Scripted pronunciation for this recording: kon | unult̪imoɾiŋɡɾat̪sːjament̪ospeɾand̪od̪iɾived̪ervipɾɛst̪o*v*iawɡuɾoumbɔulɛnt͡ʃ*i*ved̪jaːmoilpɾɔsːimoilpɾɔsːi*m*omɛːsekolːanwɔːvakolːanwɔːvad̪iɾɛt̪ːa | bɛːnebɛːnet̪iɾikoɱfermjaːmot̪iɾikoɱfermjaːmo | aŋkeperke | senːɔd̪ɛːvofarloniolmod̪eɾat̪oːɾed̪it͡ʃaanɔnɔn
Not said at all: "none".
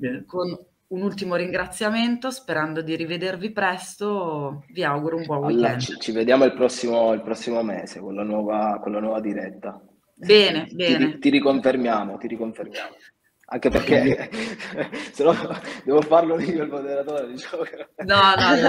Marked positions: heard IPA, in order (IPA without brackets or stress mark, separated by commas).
v, i, m